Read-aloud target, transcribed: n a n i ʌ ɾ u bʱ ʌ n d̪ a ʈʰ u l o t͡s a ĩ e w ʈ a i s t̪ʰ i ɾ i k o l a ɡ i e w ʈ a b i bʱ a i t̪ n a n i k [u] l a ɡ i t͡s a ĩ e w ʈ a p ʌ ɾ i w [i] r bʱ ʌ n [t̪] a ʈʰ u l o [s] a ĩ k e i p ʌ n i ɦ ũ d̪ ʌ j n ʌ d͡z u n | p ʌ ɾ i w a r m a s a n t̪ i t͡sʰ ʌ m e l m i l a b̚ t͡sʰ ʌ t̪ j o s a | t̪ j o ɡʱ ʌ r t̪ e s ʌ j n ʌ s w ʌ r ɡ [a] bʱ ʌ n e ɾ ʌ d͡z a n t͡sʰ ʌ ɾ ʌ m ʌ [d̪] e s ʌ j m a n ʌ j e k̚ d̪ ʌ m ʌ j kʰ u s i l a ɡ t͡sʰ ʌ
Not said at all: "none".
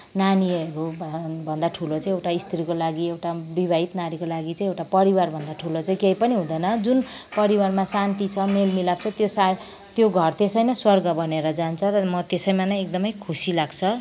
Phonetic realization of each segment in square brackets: o, a, d̪, t͡s, ʌ, t̪

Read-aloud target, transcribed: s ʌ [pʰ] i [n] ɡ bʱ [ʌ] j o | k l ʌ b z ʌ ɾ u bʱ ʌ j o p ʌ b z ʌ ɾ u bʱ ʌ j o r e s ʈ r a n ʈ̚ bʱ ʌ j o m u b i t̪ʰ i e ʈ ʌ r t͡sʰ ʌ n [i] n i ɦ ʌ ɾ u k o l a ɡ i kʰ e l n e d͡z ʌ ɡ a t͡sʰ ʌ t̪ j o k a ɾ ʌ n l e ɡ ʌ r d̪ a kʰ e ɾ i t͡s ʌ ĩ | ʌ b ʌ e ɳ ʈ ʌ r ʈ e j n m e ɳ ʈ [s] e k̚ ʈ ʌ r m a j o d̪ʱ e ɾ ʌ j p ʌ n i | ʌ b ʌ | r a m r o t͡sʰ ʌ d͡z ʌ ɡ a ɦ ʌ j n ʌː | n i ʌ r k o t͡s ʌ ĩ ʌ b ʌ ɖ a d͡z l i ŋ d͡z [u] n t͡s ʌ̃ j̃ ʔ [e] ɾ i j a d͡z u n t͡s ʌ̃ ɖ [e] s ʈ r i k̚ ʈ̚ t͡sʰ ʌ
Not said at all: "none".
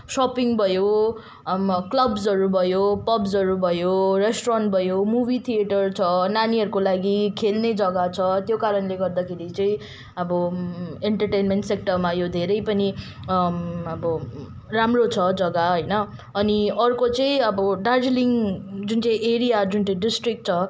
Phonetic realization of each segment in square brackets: p, ŋ, ʌ, a, s, u, e, i

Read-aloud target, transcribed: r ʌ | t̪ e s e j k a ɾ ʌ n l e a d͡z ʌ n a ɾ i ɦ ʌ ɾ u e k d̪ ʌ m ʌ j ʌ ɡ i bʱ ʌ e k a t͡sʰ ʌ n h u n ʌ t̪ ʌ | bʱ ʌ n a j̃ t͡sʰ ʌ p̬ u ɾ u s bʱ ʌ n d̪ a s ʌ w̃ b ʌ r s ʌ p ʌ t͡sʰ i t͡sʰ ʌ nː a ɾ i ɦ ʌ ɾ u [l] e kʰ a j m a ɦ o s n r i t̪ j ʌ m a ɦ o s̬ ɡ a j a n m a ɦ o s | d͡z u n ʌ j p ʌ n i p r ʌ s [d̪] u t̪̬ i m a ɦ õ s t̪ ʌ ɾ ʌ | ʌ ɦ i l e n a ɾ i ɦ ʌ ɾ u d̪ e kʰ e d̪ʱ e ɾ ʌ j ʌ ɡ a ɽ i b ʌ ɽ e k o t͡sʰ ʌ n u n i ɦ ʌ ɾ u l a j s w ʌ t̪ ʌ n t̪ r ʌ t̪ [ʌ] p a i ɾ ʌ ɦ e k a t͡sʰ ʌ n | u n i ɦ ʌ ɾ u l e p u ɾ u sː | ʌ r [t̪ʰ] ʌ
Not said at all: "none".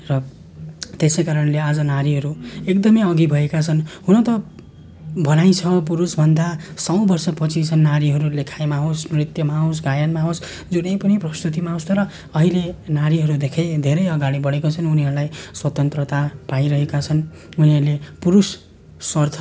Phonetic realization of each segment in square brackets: l, t̪, a, t̪ʰ

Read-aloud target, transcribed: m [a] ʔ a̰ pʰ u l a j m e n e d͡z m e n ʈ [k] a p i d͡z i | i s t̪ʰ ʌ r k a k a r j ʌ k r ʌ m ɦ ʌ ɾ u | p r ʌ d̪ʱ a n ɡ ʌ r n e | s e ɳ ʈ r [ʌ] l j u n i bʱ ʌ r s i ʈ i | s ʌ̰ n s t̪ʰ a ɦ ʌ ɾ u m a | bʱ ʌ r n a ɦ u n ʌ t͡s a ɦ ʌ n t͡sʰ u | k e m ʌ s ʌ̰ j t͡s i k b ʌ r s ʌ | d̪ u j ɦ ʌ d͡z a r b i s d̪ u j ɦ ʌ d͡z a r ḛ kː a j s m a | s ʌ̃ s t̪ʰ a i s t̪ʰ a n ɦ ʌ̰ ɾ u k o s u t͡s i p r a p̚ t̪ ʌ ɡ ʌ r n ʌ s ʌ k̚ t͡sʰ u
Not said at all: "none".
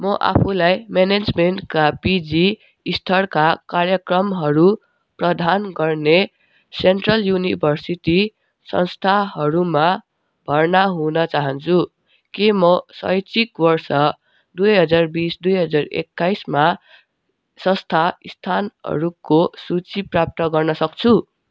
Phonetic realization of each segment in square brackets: ʌ, k, ʌ

